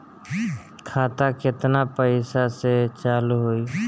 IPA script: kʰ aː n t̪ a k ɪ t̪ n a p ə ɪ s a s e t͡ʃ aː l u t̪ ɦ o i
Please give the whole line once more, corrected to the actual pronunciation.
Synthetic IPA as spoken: kʰ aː t̪ a k ɪ t̪ n a p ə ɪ s a s e t͡ʃ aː l u ɦ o i

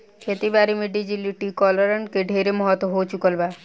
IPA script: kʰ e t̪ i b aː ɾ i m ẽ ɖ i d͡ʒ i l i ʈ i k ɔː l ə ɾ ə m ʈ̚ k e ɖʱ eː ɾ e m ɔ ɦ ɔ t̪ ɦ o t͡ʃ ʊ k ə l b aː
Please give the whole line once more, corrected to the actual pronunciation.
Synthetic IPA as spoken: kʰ e t̪ i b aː ɾ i m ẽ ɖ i d͡ʒ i l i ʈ i k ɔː l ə ɾ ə ɳ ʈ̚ k e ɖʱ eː ɾ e m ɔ ɦ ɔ t̪ ɦ o t͡ʃ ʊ k ə l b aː

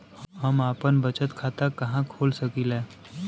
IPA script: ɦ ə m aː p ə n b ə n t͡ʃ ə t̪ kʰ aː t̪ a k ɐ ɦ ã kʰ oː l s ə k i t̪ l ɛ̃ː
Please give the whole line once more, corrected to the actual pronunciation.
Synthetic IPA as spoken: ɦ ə m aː p ə n b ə t͡ʃ ə t̪ kʰ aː t̪ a k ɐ ɦ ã kʰ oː l s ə k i l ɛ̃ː

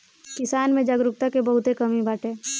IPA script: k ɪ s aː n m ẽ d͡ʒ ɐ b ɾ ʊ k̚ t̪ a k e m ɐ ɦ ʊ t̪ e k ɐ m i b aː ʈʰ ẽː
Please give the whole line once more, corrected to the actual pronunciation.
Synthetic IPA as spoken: k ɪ s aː n m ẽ d͡ʒ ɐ ɡ ɾ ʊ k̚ t̪ a k e b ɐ ɦ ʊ t̪ e k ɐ m i b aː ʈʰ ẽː

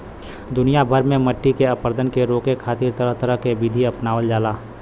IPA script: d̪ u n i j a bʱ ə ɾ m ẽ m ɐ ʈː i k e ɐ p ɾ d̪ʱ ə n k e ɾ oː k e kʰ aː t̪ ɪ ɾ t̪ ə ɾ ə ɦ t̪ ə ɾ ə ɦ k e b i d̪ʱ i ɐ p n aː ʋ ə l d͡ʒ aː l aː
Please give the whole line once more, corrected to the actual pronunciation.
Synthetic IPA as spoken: d̪ ʊ n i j a bʱ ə ɾ m ẽ m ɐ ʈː i k e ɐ p ɾ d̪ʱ ə n k e ɾ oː k e kʰ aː t̪ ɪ ɾ t̪ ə ɾ ə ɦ t̪ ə ɾ ə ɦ k e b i d̪ʱ i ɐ p n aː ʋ ə l d͡ʒ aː l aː

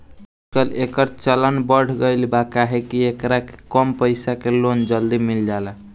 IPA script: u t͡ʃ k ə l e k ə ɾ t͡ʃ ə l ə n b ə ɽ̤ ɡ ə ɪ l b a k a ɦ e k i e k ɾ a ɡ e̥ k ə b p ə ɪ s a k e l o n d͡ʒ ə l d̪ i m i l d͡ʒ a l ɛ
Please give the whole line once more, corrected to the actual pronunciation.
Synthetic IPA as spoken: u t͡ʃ k ə l e k ə ɾ t͡ʃ ə l ə n b ə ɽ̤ ɡ ə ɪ l b a k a ɦ e k i e k ɾ a k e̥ k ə m p ə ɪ s a k e l o n d͡ʒ ə l d̪ i m i l d͡ʒ a l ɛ

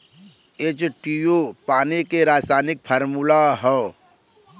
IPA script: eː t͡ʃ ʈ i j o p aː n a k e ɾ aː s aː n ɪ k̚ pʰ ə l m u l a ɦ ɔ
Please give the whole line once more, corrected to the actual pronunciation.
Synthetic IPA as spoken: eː t͡ʃ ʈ i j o p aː n i k e ɾ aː s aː n ɪ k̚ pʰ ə ɾ m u l a ɦ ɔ

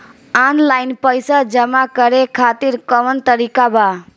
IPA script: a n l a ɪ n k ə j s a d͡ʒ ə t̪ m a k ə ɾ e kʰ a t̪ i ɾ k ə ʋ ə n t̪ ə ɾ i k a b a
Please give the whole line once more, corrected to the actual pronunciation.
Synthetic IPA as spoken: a n l a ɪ n p ə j s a d͡ʒ ə m a k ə ɾ e kʰ a t̪ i ɾ k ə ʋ ə n t̪ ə ɾ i k a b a

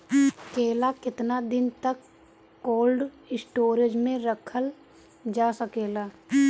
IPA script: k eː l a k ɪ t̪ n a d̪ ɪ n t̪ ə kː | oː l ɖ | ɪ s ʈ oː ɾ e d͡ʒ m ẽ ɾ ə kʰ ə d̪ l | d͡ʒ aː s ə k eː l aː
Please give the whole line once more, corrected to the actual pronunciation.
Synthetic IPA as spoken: k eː l a k ɪ t̪ n a d̪ ɪ n t̪ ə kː | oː l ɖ | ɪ s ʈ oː ɾ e d͡ʒ m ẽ ɾ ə kʰ ə l | d͡ʒ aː s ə k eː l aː

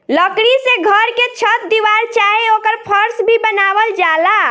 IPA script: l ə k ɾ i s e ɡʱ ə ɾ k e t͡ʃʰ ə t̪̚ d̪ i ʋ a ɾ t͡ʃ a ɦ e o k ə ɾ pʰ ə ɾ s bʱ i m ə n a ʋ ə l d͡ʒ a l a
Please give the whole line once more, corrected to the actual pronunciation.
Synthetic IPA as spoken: l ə k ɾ i s e ɡʱ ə ɾ k e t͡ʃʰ ə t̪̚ d̪ i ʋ a ɾ t͡ʃ a ɦ e o k ə ɾ pʰ ə ɾ s bʱ i b ə n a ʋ ə l d͡ʒ a l a

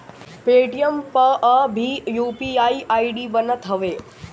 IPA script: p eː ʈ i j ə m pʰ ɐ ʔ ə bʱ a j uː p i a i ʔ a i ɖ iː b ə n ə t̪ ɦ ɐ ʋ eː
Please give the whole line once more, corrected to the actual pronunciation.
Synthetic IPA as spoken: p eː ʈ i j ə m p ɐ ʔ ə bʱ i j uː p i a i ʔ a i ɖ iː b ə n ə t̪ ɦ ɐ ʋ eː

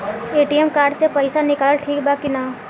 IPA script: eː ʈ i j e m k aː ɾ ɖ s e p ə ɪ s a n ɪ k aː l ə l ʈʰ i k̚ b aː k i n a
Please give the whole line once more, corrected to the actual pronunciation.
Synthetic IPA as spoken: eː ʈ i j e m k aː ɾ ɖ s e p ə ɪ s a n ɪ k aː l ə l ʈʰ iː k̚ b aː k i n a

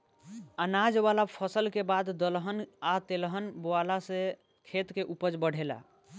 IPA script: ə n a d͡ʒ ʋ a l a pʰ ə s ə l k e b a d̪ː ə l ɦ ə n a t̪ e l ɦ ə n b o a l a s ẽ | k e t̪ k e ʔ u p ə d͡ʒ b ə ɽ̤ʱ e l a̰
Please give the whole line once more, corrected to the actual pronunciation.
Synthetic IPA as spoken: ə n a d͡ʒ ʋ a l a pʰ ə s ə l k e b a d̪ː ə l ɦ ə n a t̪ e l ɦ ə n b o a l a s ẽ | kʰ e t̪ k e ʔ u p ə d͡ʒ b ə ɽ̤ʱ e l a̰

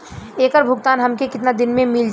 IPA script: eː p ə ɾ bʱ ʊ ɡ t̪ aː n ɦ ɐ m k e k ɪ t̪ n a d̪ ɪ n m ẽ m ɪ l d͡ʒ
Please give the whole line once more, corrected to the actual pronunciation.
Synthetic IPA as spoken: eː k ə ɾ bʱ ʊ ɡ t̪ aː n ɦ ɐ m k e k ɪ t̪ n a d̪ ɪ n m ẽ m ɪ l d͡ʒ

